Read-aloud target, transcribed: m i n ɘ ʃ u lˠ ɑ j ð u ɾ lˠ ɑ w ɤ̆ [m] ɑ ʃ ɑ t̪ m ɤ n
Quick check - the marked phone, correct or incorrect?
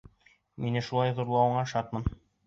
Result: incorrect